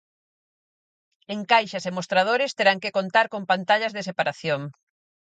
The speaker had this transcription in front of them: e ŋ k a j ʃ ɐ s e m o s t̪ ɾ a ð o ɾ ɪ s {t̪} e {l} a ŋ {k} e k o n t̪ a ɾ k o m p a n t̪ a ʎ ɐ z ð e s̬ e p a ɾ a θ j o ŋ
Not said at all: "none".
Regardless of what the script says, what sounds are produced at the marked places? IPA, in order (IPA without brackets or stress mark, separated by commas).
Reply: t̪, ɾ, k